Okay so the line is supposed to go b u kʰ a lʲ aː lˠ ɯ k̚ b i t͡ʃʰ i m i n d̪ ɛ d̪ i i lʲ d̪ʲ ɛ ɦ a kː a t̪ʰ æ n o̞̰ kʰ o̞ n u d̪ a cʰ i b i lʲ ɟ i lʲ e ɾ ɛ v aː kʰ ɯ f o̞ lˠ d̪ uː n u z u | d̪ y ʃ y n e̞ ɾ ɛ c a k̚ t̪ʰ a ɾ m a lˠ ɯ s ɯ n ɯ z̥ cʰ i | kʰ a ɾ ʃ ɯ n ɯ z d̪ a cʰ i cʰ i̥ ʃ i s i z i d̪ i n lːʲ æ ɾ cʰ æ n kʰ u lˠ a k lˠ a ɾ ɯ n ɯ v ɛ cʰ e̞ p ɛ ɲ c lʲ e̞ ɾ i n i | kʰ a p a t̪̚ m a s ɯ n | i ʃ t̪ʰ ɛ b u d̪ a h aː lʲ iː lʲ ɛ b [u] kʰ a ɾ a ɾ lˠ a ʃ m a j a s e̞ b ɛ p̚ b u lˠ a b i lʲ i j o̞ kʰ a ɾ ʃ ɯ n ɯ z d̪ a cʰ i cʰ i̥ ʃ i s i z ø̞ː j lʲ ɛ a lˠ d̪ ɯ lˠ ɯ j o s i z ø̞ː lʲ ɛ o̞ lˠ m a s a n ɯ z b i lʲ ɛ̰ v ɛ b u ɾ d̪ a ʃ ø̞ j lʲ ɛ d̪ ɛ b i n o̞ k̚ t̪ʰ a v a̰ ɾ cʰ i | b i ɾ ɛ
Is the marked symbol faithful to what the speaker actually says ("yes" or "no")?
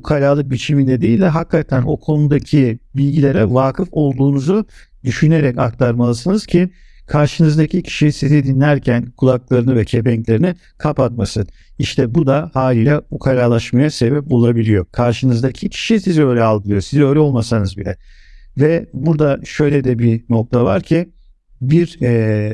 yes